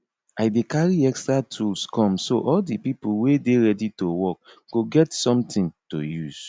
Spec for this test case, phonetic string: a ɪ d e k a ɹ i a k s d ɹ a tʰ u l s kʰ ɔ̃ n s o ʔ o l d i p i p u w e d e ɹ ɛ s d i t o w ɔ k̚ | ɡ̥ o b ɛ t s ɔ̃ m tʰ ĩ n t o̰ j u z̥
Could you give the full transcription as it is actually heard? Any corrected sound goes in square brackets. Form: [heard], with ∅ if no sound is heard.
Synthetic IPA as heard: a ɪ d e k a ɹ i [ɛ] k s [t] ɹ a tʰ u l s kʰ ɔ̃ [m] s o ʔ [ɔ] l d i p i p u w e d e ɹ ɛ [∅] d i t o w ɔ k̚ | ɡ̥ o [ɡ] ɛ t s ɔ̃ m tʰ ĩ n t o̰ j u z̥